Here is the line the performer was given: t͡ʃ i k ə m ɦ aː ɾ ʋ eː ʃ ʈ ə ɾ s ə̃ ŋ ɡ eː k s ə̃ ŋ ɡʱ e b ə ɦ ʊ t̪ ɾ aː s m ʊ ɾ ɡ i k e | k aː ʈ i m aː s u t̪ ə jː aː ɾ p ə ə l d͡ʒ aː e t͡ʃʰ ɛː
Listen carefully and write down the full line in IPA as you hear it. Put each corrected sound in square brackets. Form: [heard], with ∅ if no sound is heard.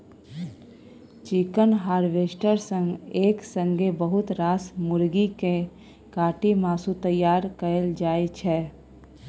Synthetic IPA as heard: t͡ʃ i k ə [n] ɦ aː ɾ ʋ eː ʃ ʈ ə ɾ s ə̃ ŋ ɡ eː k s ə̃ ŋ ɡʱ e b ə ɦ ʊ t̪ ɾ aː s m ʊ ɾ ɡ i k e | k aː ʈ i m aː s u t̪ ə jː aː ɾ [k] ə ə l d͡ʒ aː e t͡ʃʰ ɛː